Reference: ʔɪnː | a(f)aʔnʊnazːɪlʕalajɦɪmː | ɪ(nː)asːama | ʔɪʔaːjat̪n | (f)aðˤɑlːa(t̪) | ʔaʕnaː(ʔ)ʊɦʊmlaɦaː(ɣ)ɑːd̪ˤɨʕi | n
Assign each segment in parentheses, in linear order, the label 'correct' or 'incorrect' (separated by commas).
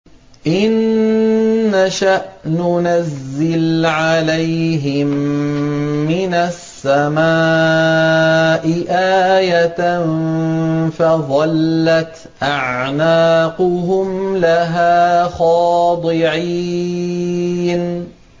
incorrect, incorrect, correct, correct, incorrect, incorrect